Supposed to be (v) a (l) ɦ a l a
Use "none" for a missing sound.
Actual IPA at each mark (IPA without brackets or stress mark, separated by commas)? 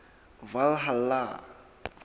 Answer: v, l